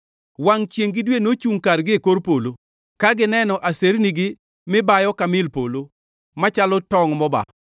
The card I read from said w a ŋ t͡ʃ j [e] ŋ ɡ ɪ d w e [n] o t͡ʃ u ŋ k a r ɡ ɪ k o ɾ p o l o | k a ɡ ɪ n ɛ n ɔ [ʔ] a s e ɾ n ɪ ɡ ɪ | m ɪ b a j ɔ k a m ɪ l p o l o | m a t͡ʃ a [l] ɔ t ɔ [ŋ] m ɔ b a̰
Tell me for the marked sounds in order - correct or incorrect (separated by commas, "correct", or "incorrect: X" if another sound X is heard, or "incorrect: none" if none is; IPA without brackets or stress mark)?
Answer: correct, correct, correct, correct, correct